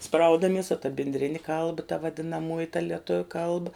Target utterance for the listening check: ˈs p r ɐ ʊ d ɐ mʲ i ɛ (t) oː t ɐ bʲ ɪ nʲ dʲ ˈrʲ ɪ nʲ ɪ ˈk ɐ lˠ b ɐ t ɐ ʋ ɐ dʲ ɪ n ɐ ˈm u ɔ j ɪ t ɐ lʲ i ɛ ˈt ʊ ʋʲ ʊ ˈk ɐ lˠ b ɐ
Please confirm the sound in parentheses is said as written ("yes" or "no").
no